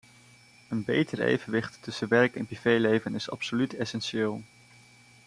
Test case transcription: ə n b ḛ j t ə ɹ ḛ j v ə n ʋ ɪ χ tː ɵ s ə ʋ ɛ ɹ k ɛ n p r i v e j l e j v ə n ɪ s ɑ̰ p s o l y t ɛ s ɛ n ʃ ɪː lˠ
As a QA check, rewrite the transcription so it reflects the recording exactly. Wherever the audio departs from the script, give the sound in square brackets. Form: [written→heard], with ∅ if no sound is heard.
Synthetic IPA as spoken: ə n b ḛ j t ə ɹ ḛ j v ə n ʋ ɪ χ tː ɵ s ə ʋ ɛ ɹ k ɛ n p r i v e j l e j v ə n ɪ s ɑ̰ p s o l y t ɛ s ɛ n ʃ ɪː lˠ